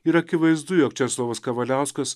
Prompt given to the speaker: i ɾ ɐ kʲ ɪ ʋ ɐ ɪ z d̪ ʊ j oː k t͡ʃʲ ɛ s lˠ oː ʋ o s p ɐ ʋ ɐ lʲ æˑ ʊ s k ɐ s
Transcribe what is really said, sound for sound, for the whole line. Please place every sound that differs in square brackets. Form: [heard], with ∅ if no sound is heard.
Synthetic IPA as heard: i ɾ ɐ kʲ ɪ ʋ ɐ ɪ z d̪ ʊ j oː k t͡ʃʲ ɛ s lˠ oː ʋ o s [k] ɐ ʋ ɐ lʲ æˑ ʊ s k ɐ s